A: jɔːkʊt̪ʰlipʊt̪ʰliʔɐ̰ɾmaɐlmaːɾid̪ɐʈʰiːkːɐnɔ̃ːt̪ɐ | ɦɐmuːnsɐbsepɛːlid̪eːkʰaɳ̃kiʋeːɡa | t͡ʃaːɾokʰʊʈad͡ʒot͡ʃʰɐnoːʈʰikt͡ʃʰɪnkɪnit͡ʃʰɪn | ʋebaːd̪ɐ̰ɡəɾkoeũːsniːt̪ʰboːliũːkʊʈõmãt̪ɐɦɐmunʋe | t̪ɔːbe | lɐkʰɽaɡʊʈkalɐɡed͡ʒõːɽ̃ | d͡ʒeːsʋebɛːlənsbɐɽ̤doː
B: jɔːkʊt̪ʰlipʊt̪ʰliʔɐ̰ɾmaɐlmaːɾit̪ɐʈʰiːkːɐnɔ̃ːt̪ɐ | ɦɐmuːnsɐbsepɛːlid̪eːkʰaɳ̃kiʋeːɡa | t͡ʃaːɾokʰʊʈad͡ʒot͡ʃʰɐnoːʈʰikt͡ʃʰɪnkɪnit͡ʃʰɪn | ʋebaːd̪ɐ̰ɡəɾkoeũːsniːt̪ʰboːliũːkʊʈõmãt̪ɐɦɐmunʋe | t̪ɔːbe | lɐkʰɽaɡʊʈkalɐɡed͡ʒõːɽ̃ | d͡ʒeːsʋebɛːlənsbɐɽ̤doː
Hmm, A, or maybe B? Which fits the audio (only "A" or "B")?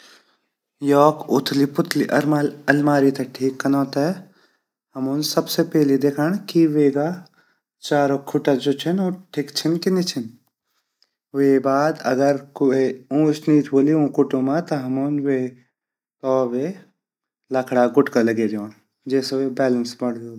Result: B